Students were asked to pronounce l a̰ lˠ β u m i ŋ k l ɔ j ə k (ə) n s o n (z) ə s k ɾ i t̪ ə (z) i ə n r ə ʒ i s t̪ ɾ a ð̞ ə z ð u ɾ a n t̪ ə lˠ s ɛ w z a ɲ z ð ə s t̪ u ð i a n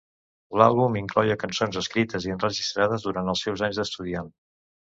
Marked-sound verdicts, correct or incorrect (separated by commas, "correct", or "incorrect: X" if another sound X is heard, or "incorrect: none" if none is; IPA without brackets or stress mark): correct, correct, correct